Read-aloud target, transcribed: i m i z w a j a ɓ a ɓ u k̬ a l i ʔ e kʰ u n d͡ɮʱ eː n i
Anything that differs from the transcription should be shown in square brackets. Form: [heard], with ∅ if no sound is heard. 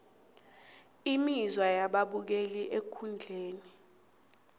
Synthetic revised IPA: i m i z w a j a ɓ a ɓ u k̬ [e] l i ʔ e kʰ u n d͡ɮʱ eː n i